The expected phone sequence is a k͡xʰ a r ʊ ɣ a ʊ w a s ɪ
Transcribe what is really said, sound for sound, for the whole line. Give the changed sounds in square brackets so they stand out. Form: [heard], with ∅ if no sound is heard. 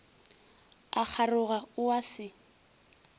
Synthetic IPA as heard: a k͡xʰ a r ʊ ɣ a ʊ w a s ɪ